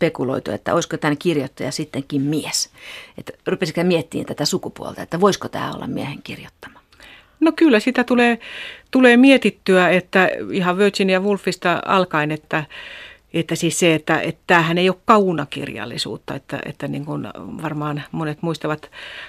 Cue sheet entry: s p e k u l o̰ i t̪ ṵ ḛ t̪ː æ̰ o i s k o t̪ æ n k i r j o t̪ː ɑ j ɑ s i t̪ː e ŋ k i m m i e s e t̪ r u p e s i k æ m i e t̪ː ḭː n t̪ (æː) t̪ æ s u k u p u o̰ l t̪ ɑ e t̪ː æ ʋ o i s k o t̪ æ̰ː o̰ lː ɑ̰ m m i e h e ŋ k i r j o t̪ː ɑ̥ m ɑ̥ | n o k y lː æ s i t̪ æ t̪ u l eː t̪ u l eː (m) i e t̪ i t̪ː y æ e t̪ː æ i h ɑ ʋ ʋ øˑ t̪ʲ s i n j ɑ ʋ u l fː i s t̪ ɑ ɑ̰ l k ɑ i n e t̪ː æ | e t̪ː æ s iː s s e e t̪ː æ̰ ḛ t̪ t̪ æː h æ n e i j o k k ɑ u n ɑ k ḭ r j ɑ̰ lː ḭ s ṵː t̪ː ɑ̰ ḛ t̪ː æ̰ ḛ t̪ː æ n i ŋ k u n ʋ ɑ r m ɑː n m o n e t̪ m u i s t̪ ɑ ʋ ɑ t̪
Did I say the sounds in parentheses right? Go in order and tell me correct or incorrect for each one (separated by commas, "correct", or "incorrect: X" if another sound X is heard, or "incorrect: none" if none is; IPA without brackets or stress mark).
incorrect: æ, correct